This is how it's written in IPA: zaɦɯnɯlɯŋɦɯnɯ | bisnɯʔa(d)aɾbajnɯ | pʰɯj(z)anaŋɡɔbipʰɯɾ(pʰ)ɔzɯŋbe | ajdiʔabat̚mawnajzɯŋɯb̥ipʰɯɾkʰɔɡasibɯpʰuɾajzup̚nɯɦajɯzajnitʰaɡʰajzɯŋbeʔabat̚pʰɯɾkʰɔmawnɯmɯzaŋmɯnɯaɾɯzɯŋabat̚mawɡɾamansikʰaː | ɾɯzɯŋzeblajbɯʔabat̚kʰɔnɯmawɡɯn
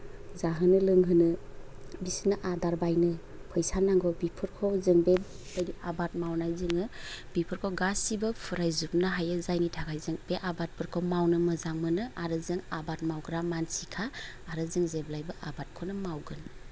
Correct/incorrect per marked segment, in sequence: correct, incorrect, incorrect

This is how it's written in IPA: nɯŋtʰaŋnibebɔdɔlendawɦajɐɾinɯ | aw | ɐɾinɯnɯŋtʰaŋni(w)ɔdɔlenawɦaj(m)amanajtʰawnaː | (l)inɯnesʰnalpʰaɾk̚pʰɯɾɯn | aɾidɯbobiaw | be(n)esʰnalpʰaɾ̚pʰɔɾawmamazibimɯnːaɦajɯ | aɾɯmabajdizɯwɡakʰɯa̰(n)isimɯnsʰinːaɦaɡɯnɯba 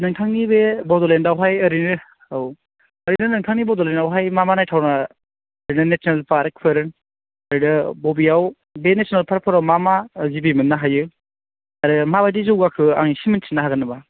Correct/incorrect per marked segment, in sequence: incorrect, correct, incorrect, correct, incorrect

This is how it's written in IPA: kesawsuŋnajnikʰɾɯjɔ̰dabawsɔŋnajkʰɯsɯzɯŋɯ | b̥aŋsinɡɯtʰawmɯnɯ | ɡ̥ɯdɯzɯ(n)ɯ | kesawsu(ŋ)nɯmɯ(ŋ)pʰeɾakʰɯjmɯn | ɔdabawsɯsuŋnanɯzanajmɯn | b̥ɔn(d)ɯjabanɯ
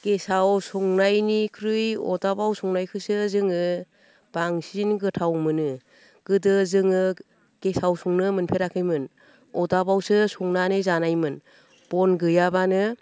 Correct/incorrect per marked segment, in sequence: incorrect, correct, incorrect, incorrect

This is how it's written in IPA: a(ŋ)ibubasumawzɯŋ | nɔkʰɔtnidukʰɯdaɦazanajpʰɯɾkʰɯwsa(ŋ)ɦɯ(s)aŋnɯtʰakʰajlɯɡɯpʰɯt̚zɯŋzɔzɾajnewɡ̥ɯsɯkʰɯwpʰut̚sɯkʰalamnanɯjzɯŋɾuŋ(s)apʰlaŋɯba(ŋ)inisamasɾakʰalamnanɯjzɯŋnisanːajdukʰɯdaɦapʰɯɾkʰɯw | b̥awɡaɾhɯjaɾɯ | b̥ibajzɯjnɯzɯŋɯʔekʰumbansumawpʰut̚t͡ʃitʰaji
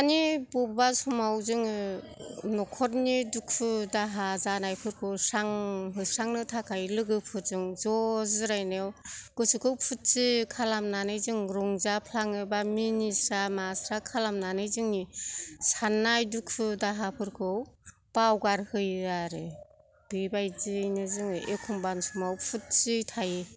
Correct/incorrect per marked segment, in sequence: incorrect, correct, correct, incorrect, incorrect

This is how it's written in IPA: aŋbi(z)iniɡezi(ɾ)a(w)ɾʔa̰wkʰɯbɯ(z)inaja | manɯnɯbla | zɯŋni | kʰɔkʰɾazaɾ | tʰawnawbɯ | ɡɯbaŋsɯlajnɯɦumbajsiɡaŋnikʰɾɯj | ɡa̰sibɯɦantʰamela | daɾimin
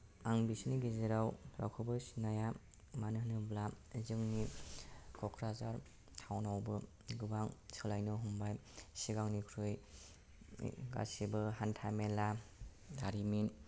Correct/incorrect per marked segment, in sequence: incorrect, correct, correct, incorrect

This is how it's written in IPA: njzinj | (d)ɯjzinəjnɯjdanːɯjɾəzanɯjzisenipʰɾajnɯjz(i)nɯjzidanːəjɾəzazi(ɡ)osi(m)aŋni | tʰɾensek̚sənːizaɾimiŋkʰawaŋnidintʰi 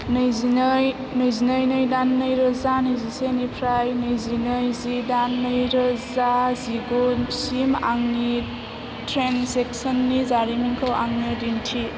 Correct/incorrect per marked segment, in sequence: incorrect, correct, correct, correct

